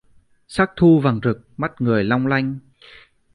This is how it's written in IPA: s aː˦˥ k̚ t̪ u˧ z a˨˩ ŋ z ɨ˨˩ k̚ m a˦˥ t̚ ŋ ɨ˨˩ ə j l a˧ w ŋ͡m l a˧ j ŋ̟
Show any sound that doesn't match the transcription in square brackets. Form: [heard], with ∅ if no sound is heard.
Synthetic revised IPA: s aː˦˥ k̚ [t̪ʰ] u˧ [v] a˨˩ ŋ z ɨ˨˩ k̚ m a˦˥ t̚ ŋ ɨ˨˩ ə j l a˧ w ŋ͡m l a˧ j ŋ̟